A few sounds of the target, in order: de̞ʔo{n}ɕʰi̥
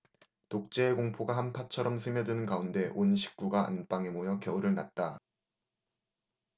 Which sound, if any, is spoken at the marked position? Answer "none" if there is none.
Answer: n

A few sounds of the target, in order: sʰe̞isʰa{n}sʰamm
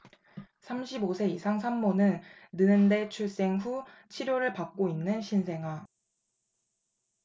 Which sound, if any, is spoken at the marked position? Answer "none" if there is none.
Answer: ŋ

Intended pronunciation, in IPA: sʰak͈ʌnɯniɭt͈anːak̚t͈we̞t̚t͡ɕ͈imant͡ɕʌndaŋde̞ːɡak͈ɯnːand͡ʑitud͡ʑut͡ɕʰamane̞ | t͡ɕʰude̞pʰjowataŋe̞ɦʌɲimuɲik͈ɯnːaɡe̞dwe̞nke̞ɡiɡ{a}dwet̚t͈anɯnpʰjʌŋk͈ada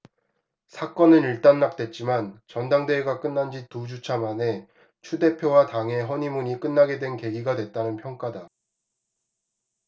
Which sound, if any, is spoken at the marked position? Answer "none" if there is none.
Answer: a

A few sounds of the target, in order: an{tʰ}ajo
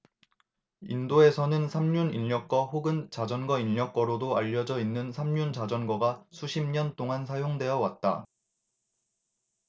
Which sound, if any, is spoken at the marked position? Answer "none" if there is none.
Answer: sʰ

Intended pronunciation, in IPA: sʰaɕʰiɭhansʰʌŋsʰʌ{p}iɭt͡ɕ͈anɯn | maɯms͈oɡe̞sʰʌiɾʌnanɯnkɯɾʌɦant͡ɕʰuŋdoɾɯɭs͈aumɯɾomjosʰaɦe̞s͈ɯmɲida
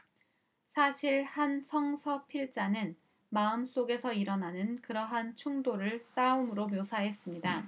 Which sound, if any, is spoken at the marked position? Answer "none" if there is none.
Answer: pʰ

